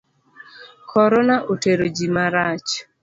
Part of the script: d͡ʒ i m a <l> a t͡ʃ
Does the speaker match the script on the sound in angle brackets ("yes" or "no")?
no